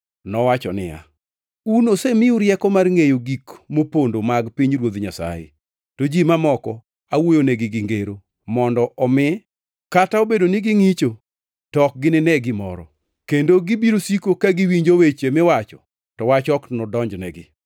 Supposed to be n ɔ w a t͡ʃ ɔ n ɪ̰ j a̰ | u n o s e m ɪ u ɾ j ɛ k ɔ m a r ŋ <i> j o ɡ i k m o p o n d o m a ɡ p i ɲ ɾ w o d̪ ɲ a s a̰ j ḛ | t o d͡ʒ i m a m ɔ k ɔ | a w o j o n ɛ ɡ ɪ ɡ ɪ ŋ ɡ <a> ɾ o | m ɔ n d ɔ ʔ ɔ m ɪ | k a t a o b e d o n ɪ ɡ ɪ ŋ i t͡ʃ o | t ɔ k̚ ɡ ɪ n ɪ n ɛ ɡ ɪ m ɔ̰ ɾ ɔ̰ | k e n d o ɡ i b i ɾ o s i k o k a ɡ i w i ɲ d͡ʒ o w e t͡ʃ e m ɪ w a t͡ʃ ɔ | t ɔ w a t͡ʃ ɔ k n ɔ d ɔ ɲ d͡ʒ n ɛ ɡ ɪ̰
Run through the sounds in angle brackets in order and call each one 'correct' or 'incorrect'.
incorrect: e, incorrect: e

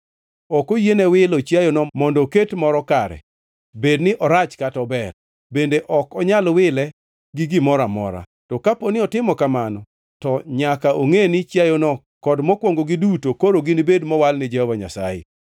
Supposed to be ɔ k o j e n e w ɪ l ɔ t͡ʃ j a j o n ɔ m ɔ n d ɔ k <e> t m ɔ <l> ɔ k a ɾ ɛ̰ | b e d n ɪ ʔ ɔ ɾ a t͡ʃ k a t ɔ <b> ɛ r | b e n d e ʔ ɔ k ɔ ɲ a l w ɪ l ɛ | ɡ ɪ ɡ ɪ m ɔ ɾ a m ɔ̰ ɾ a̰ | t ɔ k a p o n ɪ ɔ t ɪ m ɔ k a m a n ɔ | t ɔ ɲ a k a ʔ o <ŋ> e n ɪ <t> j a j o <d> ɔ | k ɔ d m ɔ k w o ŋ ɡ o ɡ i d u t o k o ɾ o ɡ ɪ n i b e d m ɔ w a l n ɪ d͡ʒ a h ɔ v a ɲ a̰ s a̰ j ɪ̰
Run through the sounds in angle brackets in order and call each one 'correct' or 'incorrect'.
correct, incorrect: ɾ, correct, correct, incorrect: t͡ʃ, incorrect: n

